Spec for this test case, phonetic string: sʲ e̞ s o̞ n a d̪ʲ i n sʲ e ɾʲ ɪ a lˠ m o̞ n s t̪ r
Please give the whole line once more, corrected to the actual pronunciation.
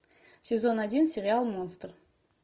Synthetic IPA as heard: sʲ e̞ z o̞ n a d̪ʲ i n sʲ e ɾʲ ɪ a lˠ m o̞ n s t̪ r